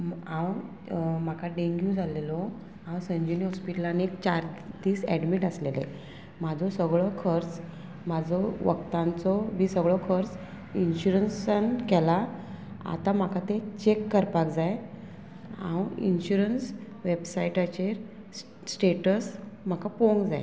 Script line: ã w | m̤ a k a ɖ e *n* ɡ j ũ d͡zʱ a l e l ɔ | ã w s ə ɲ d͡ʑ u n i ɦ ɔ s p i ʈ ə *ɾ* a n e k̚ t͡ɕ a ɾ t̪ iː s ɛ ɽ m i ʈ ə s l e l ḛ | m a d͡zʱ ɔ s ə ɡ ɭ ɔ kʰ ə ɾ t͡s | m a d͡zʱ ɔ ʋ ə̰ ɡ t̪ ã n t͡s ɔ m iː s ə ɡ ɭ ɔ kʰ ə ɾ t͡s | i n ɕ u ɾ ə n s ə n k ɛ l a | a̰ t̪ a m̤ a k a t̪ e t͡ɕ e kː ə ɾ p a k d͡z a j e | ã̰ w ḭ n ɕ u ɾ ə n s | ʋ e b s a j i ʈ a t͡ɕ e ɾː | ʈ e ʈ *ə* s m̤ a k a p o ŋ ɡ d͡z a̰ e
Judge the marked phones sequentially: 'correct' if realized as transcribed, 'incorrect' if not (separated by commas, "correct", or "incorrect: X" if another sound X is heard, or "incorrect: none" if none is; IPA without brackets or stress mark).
incorrect: ŋ, incorrect: l, correct